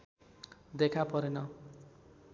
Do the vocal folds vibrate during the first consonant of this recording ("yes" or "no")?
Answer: yes